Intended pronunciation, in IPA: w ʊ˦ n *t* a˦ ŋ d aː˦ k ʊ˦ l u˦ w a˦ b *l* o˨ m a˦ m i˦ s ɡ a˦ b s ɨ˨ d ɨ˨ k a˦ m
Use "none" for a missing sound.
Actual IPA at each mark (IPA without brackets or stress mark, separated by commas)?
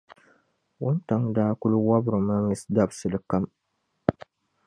t, ɾ